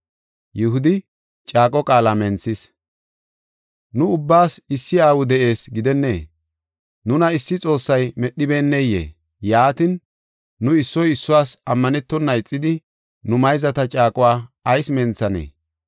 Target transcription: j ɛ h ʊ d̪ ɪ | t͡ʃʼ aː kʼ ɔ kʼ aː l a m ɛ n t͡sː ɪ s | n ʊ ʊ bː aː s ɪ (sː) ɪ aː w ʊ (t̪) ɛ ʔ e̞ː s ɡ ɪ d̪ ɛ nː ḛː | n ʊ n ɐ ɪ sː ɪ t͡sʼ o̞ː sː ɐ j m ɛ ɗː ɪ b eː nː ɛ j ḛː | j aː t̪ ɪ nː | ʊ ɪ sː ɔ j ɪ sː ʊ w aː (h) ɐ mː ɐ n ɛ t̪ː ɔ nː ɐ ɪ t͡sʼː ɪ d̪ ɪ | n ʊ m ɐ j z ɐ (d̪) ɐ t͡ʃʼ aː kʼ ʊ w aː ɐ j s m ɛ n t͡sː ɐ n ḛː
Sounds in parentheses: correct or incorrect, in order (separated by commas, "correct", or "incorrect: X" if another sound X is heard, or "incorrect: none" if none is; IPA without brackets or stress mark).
correct, incorrect: d̪, incorrect: s, incorrect: t̪